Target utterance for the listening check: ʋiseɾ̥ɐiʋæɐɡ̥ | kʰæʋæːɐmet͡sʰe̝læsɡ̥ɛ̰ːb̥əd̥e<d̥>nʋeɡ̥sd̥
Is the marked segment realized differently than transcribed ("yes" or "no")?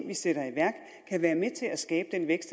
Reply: yes